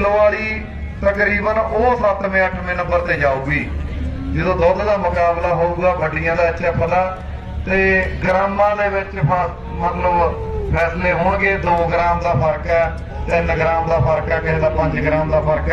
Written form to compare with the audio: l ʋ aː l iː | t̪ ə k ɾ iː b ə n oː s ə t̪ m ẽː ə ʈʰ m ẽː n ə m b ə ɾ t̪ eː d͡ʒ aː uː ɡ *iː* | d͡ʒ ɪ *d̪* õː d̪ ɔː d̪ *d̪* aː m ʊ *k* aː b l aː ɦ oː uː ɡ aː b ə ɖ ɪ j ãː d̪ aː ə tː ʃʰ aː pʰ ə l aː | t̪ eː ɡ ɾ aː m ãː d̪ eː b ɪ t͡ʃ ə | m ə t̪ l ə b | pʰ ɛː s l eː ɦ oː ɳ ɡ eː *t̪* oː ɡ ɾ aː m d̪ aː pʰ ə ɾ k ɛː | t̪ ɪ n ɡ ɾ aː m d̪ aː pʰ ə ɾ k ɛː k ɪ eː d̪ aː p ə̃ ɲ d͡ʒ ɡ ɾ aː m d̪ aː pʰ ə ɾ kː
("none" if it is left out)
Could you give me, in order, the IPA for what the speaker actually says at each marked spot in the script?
iː, d̪, d̪, k, d̪

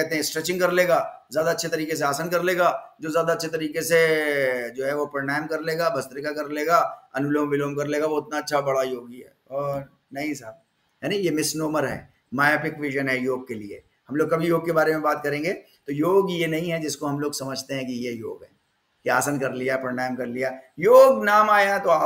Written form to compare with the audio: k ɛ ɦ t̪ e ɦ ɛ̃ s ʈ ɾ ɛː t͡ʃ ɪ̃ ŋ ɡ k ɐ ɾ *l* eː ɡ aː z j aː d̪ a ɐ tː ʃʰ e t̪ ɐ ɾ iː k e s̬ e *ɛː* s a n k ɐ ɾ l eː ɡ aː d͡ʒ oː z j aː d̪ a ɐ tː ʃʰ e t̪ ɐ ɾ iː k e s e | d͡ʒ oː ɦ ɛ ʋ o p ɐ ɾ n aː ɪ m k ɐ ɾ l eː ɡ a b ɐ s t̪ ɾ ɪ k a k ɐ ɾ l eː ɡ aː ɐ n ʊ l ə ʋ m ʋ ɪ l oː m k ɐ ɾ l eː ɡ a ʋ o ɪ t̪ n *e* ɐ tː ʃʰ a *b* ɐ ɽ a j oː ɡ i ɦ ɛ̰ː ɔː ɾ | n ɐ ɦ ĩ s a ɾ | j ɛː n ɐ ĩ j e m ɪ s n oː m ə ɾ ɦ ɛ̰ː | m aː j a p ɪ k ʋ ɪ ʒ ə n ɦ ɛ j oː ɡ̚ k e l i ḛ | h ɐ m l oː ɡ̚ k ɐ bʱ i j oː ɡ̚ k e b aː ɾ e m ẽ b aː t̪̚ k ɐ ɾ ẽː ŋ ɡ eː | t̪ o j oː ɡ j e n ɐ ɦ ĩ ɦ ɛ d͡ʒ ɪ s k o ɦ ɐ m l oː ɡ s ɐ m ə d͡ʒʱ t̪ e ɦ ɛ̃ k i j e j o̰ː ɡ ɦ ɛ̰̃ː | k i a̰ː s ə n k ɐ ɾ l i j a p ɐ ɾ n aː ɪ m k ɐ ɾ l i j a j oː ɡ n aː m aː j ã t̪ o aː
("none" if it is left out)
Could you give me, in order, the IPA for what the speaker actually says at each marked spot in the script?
l, aː, a, b

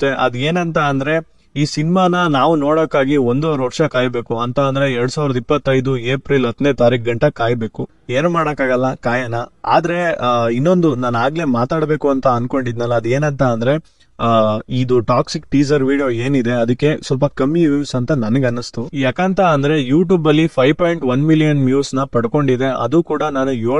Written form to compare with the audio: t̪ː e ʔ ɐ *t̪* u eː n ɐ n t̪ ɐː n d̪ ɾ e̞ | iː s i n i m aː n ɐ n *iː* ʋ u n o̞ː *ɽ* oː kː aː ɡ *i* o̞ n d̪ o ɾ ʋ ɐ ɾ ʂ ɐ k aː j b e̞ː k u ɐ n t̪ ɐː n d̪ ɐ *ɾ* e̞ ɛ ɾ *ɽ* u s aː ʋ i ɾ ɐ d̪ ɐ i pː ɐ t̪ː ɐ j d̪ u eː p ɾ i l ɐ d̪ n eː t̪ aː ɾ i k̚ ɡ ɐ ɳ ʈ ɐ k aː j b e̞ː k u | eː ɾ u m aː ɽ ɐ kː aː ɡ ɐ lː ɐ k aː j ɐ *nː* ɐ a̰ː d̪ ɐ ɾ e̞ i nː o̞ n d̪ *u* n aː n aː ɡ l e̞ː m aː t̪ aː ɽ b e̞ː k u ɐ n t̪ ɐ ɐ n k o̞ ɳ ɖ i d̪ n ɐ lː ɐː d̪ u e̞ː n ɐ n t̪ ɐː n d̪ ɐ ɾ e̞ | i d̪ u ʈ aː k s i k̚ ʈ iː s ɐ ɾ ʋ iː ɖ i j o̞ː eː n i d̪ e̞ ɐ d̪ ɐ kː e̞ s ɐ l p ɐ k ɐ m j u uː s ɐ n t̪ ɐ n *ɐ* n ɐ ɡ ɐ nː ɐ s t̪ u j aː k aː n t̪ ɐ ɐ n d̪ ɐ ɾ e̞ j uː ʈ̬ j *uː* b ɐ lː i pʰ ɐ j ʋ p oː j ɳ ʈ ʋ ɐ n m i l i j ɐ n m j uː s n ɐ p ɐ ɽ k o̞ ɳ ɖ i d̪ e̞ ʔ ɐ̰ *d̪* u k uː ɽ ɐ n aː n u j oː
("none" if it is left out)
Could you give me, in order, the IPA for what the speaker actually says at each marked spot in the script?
d̪, aː, ɽ, i, ɾ, ɽ, n, u, ɐ, uː, d̪

